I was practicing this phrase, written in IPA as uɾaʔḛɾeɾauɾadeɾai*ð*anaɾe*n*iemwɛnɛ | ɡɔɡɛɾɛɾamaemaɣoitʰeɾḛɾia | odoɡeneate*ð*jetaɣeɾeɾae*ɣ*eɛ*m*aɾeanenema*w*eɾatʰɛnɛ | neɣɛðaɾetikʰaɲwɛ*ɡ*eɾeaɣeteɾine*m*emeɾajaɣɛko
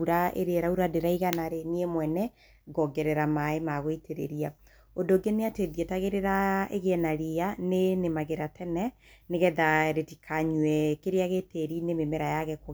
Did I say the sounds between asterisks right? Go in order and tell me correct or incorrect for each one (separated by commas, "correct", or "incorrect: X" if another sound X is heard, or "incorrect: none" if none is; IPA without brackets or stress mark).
incorrect: ɣ, correct, correct, correct, incorrect: n, incorrect: ɣ, incorrect: k, correct